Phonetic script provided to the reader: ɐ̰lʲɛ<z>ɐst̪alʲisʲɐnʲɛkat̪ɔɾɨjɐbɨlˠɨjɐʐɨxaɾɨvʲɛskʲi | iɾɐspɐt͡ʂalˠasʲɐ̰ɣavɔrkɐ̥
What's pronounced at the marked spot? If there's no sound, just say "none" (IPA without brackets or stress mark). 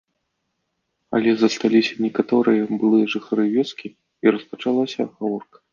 z